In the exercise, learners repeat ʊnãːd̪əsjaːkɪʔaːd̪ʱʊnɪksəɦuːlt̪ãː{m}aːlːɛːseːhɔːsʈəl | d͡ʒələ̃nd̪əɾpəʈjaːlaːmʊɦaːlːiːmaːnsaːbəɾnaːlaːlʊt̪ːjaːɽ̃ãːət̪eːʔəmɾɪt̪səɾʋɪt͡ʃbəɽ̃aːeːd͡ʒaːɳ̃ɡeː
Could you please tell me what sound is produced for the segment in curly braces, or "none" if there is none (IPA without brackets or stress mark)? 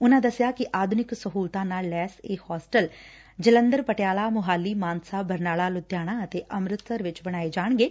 n